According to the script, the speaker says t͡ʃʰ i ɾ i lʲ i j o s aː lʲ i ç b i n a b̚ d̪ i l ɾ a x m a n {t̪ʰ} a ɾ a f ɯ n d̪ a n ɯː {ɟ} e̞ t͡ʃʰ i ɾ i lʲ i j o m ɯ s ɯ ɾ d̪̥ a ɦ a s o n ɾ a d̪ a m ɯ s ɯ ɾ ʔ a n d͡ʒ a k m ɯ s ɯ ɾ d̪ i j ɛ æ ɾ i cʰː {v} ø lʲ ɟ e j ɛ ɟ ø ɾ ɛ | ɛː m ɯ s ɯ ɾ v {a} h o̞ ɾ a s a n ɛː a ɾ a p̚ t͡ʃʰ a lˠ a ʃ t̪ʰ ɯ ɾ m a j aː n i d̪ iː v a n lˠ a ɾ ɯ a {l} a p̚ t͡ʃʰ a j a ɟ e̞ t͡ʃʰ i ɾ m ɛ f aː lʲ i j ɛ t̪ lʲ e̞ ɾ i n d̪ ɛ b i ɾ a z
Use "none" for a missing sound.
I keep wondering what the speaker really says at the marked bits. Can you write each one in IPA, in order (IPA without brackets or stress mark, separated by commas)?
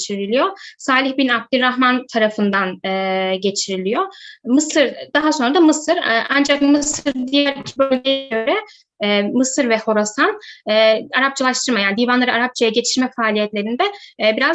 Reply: t̪ʰ, ɟ, b, ɛ, ɾ